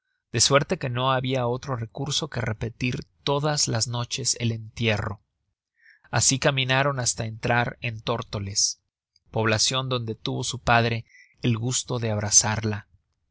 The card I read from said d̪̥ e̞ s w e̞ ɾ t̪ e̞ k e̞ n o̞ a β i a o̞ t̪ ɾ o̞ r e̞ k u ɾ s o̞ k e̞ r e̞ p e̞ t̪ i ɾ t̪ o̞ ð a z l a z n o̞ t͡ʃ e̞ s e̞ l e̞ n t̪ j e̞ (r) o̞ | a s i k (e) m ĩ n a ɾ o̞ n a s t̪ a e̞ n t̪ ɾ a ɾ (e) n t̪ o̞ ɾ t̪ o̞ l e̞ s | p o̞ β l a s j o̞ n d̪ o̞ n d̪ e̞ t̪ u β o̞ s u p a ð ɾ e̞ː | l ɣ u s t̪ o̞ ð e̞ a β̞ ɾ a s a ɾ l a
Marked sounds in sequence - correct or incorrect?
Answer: correct, incorrect, correct

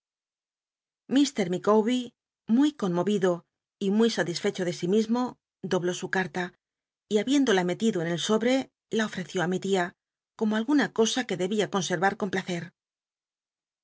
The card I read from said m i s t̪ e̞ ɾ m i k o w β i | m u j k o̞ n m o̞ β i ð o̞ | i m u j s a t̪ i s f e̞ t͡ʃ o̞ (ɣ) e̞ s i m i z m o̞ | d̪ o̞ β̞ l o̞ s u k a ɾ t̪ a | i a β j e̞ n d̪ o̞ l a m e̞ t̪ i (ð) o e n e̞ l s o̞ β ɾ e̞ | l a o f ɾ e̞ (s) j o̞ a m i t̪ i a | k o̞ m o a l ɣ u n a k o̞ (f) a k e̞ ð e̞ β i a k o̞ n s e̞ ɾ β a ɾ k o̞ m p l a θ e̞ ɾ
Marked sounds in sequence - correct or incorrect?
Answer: incorrect, correct, incorrect, incorrect

